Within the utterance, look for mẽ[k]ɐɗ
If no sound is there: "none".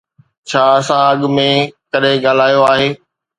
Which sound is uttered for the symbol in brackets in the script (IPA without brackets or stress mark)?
k